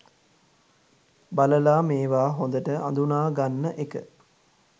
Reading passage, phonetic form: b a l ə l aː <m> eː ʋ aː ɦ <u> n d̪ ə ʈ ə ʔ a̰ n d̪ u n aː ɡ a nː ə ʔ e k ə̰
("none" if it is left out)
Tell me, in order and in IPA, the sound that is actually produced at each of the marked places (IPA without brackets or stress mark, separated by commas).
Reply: m, o